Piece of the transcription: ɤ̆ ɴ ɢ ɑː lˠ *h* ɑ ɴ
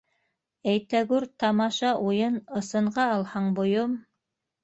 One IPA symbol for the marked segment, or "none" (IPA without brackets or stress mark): h